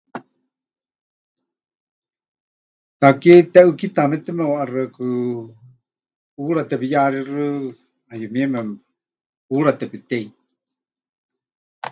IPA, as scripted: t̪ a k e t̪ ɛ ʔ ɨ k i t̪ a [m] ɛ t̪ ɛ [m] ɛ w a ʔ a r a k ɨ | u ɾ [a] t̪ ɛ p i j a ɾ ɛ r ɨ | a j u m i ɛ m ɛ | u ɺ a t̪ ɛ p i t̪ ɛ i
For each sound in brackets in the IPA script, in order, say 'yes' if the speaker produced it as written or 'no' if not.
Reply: yes, yes, yes

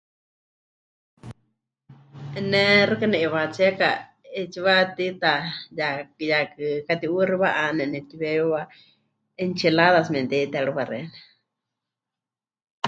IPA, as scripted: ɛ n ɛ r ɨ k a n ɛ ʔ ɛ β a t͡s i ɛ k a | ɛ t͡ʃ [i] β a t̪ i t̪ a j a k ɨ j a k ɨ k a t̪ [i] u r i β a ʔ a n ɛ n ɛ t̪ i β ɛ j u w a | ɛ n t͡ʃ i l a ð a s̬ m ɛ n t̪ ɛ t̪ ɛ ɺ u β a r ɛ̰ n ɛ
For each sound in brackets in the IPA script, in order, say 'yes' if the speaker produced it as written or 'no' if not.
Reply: yes, yes

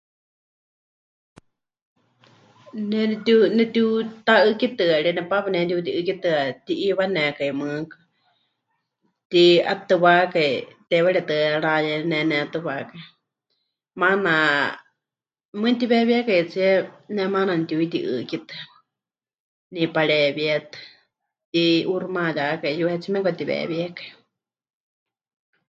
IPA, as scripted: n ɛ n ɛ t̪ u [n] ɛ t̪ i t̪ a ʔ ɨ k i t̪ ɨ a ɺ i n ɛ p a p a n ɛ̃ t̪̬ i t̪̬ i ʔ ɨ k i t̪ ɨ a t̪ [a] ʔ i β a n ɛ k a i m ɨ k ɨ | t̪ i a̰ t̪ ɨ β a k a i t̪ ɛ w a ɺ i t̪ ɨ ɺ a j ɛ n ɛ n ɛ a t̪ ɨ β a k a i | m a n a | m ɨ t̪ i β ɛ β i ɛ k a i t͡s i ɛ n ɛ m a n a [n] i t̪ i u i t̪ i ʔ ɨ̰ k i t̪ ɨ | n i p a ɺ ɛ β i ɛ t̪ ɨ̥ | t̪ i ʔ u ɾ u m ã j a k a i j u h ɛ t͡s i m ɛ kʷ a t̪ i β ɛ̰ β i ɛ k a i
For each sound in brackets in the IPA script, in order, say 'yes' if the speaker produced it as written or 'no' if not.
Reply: yes, no, yes

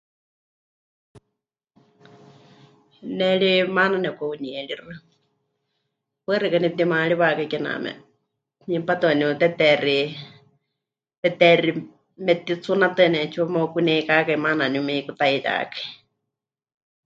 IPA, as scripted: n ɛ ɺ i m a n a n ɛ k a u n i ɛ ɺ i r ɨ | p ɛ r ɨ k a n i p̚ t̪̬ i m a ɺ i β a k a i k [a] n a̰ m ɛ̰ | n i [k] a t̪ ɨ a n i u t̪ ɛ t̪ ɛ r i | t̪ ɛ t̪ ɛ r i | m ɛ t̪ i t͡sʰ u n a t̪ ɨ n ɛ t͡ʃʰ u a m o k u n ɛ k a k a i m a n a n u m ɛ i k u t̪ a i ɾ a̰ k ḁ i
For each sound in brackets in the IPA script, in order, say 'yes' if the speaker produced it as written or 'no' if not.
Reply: no, no

